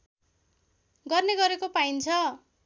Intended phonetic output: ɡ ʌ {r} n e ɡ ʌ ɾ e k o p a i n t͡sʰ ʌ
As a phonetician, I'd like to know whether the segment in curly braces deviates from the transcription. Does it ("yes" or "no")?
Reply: no